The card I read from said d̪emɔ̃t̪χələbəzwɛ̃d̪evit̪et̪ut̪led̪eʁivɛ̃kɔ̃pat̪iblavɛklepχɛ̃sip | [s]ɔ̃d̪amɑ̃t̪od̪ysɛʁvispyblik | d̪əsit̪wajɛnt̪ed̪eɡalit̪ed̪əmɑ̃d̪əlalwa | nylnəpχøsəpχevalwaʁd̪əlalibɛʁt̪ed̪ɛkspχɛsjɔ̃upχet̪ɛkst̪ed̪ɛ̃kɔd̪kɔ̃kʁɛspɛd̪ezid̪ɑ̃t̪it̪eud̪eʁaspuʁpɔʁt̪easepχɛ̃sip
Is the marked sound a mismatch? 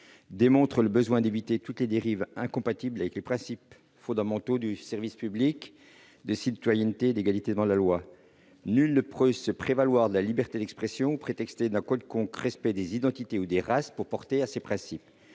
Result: yes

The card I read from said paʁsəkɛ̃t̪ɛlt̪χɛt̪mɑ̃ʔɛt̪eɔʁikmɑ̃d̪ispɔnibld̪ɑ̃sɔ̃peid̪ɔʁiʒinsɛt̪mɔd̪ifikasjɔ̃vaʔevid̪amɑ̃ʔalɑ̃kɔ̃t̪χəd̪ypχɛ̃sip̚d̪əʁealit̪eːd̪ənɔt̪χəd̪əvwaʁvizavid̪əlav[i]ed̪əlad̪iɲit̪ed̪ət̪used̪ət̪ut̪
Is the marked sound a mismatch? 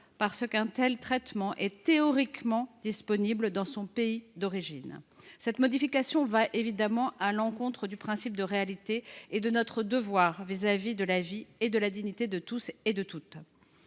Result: no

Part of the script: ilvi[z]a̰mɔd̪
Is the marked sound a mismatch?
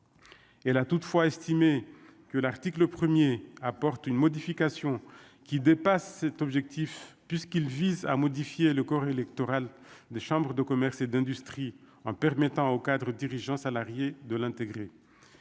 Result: no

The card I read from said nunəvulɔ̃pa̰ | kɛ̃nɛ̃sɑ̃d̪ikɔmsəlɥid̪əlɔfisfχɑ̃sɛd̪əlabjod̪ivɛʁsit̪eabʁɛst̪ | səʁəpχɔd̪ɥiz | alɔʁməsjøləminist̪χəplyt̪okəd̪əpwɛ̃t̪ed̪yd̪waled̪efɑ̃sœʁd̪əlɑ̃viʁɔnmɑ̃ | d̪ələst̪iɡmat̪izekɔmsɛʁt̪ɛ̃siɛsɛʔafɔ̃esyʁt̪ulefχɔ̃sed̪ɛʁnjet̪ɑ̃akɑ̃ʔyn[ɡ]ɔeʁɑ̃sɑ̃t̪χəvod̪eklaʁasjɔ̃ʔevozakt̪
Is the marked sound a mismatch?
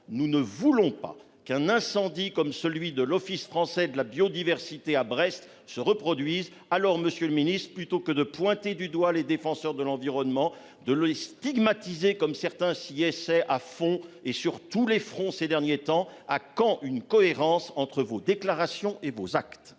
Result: yes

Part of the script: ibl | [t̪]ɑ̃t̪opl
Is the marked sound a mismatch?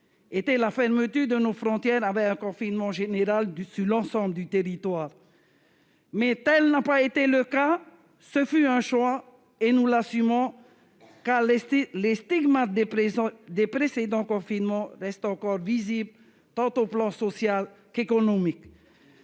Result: no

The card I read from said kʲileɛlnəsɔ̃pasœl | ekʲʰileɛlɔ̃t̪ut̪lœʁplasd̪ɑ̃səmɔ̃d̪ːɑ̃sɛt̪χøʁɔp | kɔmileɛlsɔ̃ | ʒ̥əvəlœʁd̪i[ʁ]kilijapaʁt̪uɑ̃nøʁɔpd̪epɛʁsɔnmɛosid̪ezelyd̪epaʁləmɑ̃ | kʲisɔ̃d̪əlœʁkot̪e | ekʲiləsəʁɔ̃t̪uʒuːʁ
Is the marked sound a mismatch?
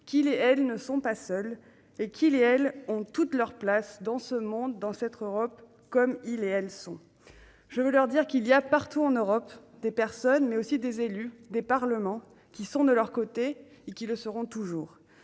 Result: no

